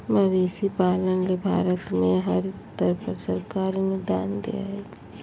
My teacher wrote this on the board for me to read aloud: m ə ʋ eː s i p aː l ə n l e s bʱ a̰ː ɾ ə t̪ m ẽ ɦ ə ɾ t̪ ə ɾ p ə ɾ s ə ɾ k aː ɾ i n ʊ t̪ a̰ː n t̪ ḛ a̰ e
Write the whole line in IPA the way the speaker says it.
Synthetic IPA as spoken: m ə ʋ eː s i p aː l ə n l e bʱ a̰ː ɾ ə t̪ m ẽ ɦ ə ɾ t̪ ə ɾ p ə ɾ s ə ɾ k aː ɾ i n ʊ d̪ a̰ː n d̪ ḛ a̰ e